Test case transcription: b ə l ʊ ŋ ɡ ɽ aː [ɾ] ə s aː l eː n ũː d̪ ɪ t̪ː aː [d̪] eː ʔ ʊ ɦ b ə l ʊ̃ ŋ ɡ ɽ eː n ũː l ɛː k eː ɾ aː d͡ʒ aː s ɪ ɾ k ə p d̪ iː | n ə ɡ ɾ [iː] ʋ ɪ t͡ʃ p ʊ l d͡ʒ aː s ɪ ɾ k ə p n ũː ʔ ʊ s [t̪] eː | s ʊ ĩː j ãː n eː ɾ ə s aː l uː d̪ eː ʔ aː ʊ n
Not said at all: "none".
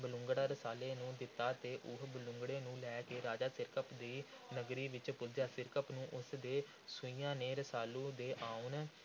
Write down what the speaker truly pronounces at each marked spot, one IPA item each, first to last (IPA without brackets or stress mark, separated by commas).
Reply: ɾ, t̪, iː, d̪